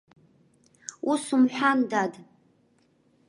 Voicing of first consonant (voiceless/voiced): voiceless